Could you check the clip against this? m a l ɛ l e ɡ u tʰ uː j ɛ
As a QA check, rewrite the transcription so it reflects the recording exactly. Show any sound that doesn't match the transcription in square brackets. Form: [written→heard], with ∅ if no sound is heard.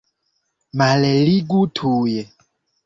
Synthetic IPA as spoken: m a l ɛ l [e→i] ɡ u tʰ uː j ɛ